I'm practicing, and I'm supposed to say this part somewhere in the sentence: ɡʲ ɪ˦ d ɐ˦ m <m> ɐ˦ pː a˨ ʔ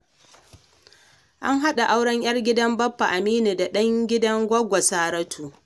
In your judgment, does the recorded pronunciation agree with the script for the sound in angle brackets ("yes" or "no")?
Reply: no